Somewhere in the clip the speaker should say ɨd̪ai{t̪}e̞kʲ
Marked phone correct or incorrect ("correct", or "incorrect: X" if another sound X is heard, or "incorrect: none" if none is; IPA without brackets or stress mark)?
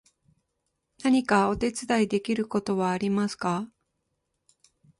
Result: incorrect: d̪